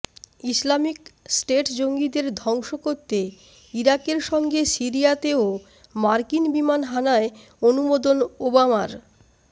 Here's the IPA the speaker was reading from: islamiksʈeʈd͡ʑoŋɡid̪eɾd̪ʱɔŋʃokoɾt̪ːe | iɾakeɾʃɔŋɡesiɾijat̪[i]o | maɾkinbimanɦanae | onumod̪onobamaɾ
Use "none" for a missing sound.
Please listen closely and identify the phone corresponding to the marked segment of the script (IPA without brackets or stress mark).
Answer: e